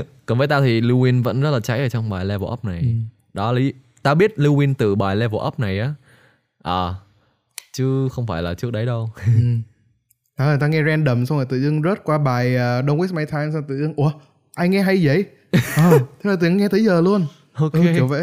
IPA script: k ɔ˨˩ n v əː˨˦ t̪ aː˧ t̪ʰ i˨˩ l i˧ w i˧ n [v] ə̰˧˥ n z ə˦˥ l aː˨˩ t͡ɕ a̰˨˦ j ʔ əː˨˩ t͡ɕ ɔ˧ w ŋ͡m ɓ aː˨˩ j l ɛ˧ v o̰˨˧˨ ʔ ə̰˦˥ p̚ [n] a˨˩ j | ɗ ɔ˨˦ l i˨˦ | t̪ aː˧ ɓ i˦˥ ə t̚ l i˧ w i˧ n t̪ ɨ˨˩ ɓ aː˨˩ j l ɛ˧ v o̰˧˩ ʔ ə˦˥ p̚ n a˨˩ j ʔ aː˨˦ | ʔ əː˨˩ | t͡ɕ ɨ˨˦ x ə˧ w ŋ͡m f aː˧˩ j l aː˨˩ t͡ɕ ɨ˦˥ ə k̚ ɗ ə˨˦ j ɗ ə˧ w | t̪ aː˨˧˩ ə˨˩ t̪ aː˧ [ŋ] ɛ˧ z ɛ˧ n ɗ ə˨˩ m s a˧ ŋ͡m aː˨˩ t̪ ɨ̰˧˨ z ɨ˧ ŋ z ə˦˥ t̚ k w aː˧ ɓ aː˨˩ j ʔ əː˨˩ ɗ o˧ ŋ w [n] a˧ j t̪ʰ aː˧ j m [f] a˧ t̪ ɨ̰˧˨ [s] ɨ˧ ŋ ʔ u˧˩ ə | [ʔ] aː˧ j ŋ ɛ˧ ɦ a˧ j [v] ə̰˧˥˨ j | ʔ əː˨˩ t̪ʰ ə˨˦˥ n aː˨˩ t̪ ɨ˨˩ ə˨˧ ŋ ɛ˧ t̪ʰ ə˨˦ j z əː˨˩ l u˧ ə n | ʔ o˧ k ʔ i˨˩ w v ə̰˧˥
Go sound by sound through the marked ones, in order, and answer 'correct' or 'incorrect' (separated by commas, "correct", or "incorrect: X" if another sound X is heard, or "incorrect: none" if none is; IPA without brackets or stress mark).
correct, correct, correct, incorrect: m, incorrect: s, incorrect: z, correct, incorrect: z